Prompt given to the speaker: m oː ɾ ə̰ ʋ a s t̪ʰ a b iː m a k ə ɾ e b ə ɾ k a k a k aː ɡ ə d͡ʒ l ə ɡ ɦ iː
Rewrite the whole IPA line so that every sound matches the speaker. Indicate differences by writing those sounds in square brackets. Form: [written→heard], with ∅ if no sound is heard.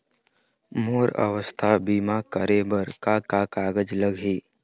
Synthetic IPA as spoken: m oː ɾ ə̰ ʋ [a→ə] s t̪ʰ a b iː m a k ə ɾ e b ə ɾ k a k a k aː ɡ ə d͡ʒ l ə ɡ ɦ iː

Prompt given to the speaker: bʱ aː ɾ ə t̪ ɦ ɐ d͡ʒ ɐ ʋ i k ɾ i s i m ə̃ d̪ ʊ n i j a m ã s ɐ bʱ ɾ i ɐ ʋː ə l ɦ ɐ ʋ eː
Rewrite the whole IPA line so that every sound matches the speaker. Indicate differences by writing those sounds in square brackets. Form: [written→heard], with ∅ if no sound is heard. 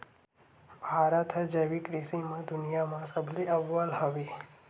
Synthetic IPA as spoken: bʱ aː ɾ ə t̪ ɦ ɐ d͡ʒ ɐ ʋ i k ɾ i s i m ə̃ d̪ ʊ n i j a m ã s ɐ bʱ [ɾ→l] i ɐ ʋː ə l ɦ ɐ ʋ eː

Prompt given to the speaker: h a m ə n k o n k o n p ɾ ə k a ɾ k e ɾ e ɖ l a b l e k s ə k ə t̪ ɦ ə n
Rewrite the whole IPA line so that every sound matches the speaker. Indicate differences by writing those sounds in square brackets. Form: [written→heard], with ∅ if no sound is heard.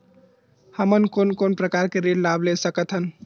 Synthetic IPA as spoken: h [a→ə] m ə n k o n k o n p ɾ ə k a ɾ k e ɾ e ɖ l a b l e [k→∅] s ə k ə t̪ ɦ ə n

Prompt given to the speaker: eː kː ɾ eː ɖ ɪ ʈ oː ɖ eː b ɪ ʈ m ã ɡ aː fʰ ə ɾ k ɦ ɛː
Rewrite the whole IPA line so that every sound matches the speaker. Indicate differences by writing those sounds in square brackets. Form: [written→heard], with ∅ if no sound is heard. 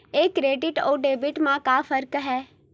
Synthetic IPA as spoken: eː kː ɾ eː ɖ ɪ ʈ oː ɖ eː b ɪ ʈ m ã [ɡ→k] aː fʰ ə ɾ k ɦ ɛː

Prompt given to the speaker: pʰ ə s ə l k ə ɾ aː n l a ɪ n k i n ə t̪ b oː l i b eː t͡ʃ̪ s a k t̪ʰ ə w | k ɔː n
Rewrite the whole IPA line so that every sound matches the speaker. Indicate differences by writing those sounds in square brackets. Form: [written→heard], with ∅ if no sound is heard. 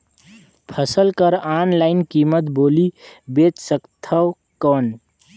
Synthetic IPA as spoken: pʰ ə s ə l k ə ɾ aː n l a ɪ n k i [n→m] ə t̪ b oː l i b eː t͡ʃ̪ s [a→ə] k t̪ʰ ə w | k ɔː n

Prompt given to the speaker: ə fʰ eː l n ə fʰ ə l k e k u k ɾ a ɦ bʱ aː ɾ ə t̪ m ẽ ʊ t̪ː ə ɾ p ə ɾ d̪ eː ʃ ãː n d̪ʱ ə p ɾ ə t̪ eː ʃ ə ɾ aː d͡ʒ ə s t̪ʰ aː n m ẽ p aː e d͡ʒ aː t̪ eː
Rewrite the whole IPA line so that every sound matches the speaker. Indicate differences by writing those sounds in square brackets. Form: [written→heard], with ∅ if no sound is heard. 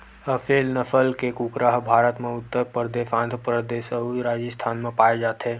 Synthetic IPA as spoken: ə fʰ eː l n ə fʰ ə l k e k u k ɾ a ɦ bʱ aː ɾ ə t̪ m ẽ ʊ t̪ː ə ɾ p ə ɾ d̪ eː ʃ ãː n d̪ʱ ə p ɾ ə [t̪→d̪] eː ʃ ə ɾ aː d͡ʒ ə s t̪ʰ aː n m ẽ p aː e d͡ʒ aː t̪ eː

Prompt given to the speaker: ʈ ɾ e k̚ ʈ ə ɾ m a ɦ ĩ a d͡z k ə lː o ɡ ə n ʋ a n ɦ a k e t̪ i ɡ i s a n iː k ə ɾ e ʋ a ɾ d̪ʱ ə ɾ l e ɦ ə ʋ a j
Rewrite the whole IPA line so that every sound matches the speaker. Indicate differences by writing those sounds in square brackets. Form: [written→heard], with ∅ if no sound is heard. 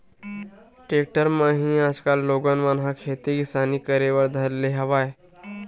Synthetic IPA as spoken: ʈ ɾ e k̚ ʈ ə ɾ m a ɦ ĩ a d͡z k [ə→a] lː o ɡ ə n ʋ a n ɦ a [k→kʰ] e t̪ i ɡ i s a n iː k ə ɾ e ʋ [a→ə] ɾ d̪ʱ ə ɾ l e ɦ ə ʋ a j

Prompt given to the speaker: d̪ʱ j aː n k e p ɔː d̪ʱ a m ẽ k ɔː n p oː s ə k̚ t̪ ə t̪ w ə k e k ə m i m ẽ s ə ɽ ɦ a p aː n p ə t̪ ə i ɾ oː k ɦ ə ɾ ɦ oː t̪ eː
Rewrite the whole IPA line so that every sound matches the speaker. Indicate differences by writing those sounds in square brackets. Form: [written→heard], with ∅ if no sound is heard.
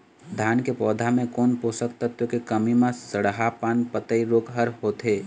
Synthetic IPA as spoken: d̪ʱ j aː n k e p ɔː d̪ʱ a m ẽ k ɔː n p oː s ə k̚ t̪ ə t̪ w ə k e k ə m i m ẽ s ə ɽ ɦ a p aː n p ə t̪ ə i ɾ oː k ɦ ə ɾ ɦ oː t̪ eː

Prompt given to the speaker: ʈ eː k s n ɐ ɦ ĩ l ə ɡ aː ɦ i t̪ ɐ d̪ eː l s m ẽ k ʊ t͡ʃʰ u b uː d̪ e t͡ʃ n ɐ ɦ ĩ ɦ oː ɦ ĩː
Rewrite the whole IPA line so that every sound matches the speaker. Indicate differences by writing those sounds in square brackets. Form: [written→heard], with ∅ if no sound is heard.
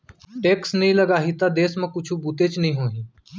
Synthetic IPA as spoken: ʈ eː k s n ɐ ɦ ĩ l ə ɡ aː ɦ i t̪ [ɐ→a] d̪ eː [l→∅] s m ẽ k ʊ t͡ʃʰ u b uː [d̪→t̪] e t͡ʃ n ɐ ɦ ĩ ɦ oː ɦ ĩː

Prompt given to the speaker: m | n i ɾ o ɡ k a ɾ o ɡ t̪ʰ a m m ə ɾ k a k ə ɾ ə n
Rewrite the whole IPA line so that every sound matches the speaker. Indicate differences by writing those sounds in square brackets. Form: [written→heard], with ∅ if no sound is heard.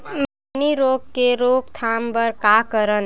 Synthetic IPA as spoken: m | n i ɾ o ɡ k [a→e] ɾ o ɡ t̪ʰ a m [m→b] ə ɾ k a k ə ɾ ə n

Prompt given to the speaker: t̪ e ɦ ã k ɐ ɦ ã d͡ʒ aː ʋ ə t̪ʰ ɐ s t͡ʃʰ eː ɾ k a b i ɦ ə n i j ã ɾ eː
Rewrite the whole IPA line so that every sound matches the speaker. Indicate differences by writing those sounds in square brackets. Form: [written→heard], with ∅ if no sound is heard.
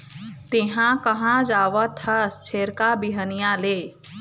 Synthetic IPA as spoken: t̪ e ɦ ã k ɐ ɦ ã d͡ʒ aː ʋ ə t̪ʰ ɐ s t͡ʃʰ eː ɾ k a b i ɦ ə n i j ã [ɾ→l] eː

